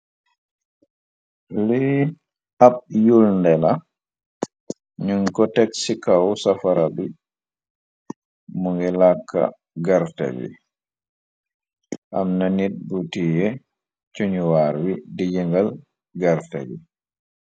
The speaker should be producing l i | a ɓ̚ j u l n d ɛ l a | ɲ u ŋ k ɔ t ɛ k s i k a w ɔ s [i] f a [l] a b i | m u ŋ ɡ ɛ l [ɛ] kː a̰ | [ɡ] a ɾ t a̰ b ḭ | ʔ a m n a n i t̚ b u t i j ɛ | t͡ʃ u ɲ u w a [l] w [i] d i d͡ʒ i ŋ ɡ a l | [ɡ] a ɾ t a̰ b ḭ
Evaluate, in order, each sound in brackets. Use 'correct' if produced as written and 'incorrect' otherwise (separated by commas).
incorrect, incorrect, incorrect, correct, incorrect, correct, correct